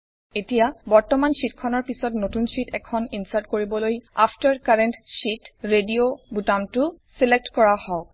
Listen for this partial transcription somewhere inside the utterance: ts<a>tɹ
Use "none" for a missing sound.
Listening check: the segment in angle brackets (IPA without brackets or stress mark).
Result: i